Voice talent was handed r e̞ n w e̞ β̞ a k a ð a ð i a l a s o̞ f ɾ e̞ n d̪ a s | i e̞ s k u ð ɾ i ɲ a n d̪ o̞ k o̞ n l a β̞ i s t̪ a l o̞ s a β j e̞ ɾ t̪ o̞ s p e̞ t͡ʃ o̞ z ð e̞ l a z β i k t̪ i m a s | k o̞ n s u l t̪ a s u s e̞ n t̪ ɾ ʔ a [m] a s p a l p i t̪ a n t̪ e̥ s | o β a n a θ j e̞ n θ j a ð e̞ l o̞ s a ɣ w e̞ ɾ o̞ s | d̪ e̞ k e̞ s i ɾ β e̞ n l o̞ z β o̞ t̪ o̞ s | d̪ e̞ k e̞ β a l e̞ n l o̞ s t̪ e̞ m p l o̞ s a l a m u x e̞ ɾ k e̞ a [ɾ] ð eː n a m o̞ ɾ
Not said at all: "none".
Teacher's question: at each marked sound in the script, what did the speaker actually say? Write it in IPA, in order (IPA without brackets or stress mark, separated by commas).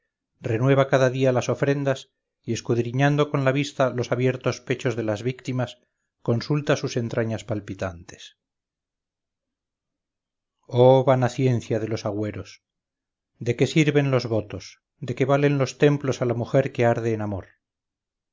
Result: ɲ, ɾ